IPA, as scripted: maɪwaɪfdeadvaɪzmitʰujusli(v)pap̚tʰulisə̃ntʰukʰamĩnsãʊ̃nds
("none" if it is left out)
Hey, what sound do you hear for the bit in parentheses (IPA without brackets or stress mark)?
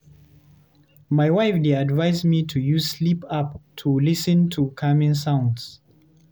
none